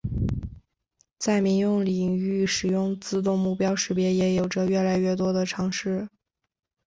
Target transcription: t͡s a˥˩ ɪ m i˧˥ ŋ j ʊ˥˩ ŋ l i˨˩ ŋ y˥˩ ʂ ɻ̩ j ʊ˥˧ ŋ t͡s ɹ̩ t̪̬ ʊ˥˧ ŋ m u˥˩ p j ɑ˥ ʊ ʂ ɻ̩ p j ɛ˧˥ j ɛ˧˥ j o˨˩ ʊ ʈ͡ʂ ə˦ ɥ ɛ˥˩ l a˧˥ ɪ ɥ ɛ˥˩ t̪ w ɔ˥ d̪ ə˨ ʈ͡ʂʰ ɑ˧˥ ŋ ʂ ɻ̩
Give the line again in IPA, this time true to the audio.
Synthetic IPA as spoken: t͡s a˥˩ ɪ m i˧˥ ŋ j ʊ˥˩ ŋ l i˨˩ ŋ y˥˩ ʂ ɻ̩ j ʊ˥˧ ŋ t͡s ɹ̩ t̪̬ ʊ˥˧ ŋ m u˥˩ p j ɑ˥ ʊ ʂ ɻ̩ p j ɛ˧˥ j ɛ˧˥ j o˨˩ ʊ ʈ͡ʂ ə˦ ɥ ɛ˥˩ l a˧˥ ɪ ɥ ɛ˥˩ t̪ w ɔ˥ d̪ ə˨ ʈ͡ʂʰ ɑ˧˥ ŋ ʂ ɻ̩

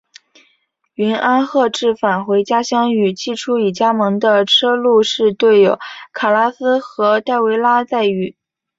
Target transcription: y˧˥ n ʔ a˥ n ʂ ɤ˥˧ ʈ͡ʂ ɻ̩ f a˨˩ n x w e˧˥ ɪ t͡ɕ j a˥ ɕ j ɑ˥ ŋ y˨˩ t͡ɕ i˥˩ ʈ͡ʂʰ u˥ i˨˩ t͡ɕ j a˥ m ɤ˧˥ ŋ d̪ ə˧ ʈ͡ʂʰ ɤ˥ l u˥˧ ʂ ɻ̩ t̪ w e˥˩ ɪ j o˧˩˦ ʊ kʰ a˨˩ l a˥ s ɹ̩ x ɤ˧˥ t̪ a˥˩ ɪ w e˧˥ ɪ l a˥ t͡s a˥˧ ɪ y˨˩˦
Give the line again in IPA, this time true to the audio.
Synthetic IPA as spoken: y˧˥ n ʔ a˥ n x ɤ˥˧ ʈ͡ʂ ɻ̩ f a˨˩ n x w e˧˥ ɪ t͡ɕ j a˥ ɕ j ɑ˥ ŋ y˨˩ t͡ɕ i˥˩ ʈ͡ʂʰ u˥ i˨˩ t͡ɕ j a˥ m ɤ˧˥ ŋ d̪ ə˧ ʈ͡ʂʰ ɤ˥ l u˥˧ ʂ ɻ̩ t̪ w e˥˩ ɪ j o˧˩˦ ʊ kʰ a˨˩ l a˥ s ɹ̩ x ɤ˧˥ t̪ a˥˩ ɪ w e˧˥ ɪ l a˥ t͡s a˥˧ ɪ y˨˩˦

